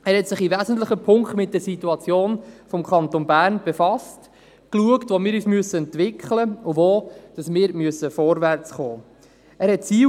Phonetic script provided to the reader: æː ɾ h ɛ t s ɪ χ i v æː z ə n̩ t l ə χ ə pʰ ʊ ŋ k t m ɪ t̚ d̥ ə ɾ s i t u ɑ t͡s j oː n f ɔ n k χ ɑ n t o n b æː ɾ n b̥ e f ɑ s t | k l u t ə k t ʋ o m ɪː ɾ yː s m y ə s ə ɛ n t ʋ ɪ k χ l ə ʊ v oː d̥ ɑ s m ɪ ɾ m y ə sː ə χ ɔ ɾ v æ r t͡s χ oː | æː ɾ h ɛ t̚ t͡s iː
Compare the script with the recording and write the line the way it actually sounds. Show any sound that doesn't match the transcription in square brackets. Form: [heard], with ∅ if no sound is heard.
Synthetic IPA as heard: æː ɾ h ɛ t s ɪ χ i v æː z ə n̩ t l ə χ ə pʰ ʊ ŋ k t m ɪ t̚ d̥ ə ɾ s i t u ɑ t͡s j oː n f ɔ [m] k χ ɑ n t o n b æː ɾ n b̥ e f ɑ s t | k l u [∅] ə k t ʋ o m ɪː ɾ yː s m y ə s ə ɛ n t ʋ ɪ k χ l ə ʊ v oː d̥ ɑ s m [ɪː] ɾ m y ə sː ə [f] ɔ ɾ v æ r t͡s χ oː | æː ɾ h ɛ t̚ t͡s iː

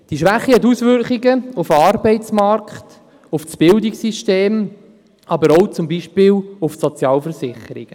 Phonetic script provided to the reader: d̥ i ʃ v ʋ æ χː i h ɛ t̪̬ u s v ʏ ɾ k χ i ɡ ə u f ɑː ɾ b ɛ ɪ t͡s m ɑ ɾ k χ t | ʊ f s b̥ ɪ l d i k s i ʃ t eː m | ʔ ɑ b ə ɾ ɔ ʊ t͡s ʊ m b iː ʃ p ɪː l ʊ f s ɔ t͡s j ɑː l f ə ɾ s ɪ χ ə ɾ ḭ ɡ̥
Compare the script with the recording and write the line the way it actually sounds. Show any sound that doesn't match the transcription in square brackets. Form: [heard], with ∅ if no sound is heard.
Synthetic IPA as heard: d̥ i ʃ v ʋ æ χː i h ɛ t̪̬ u s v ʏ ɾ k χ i ɡ ə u f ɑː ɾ b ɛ ɪ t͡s m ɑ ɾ k χ t | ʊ f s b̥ ɪ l d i k s i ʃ t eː m | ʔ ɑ b ə ɾ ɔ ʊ t͡s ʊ m b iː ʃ p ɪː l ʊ f s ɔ t͡s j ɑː l f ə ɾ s ɪ χ ə ɾ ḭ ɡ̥

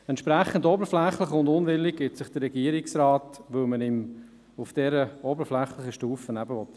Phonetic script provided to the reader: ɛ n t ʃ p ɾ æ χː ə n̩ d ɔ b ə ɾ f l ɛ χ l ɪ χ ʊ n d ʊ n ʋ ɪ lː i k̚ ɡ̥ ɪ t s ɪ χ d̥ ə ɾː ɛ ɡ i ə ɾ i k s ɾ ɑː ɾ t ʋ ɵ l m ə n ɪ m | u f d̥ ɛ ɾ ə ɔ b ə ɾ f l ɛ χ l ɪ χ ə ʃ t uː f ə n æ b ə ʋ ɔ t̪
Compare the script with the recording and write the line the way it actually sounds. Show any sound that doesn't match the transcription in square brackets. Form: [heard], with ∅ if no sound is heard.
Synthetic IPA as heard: ɛ n t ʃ p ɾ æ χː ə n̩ d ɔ b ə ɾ f l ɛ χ l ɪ χ ʊ n d ʊ n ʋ ɪ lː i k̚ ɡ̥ ɪ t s ɪ χ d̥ ə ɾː ɛ ɡ i ə ɾ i k s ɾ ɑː [∅] t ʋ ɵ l m ə n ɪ m | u f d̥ ɛ ɾ ə ɔ b ə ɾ f l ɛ χ l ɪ χ ə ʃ t uː f ə n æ b ə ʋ ɔ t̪

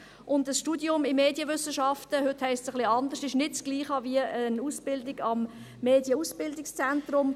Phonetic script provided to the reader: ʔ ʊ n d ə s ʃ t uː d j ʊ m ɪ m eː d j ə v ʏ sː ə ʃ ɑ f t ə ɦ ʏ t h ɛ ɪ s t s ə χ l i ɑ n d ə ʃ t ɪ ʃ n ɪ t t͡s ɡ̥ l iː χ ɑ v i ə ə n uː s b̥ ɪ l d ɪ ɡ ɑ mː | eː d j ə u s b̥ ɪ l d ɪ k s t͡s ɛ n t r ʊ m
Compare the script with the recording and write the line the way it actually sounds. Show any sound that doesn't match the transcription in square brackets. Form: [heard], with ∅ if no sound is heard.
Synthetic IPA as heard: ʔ ʊ n d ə s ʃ t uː d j ʊ m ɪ m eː d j ə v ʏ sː ə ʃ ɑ f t ə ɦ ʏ t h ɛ ɪ s t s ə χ l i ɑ n d ə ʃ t ɪ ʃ n ɪ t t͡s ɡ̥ l iː χ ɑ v i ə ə n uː s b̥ ɪ l d ɪ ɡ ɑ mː | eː d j ə u s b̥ ɪ l d ɪ k s t͡s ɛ n t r ʊ m

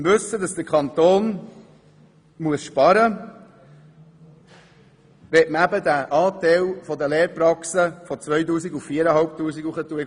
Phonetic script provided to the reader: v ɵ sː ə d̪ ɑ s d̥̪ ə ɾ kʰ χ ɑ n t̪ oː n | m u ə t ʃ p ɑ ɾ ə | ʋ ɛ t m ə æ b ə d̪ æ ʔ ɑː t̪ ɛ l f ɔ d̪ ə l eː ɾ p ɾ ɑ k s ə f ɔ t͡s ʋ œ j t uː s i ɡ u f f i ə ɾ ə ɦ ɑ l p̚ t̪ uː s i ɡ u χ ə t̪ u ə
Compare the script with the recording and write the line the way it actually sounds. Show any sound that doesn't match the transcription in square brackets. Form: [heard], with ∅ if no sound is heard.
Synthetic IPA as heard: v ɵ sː ə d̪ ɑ s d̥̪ ə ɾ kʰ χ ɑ n t̪ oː n | m u ə [s] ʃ p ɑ ɾ ə | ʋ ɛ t m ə æ b ə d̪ æ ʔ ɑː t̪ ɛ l f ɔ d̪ ə l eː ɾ p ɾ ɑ k s ə f ɔ t͡s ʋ œ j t uː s i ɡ u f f i ə ɾ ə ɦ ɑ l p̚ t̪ uː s i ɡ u χ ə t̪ u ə

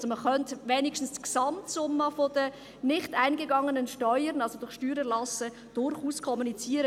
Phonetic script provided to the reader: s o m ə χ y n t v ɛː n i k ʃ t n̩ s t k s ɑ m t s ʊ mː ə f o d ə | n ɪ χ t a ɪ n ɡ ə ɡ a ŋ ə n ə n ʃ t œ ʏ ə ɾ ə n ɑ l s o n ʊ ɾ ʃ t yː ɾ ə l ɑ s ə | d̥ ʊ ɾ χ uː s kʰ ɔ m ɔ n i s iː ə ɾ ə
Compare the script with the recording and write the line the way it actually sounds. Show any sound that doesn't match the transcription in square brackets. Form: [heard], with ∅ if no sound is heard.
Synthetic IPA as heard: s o m ə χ [œ] n t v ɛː n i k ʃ t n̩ s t k s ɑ m t s ʊ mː ə f o d ə | n ɪ χ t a ɪ n ɡ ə ɡ [ɑ] ŋ ə n ə n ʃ t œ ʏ ə ɾ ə n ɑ l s o [d] ʊ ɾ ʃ t yː ɾ ə l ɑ s ə | d̥ ʊ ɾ χ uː s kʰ ɔ m [u] n i [t͡s] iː ə ɾ ə

